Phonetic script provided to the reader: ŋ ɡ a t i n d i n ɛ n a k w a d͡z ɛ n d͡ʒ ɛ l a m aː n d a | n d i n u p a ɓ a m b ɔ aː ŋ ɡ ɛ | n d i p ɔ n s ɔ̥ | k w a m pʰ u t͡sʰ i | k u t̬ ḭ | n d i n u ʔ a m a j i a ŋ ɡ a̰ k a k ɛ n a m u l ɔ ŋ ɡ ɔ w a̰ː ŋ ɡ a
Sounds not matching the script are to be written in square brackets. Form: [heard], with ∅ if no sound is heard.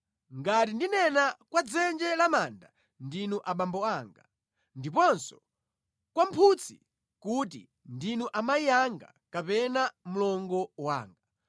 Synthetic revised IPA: ŋ ɡ a t i n d i n ɛ n a k w a d͡z ɛ n d͡ʒ ɛ l a m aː n d a | n d i n u [ʔ] a ɓ a m b ɔ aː ŋ ɡ [a] | n d i p ɔ n s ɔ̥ | k w a m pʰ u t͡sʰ i | k u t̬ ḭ | n d i n u ʔ a m a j i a ŋ ɡ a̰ k a [p] ɛ n a m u l ɔ ŋ ɡ ɔ w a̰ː ŋ ɡ a